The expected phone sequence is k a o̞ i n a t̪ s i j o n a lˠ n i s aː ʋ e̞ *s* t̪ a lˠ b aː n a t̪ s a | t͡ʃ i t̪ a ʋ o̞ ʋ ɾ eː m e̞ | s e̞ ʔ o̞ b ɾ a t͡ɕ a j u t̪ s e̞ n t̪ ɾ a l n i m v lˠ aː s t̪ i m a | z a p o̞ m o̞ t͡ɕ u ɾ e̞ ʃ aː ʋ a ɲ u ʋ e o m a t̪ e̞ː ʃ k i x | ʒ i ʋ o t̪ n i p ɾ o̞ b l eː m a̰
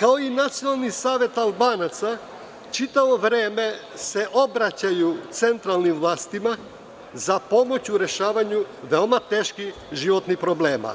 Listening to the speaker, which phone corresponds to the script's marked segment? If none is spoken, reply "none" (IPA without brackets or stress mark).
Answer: none